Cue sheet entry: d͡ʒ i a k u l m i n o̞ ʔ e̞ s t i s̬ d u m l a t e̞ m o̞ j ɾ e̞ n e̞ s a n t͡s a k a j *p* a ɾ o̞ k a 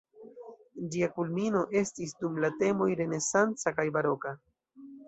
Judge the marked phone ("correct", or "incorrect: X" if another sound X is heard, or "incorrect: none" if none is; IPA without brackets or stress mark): incorrect: b